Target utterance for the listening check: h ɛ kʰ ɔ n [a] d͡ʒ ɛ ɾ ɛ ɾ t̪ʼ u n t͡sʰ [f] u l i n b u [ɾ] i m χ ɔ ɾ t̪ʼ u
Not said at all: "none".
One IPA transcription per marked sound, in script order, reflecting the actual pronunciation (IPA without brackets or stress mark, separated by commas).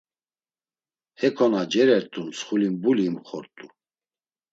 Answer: a, χ, l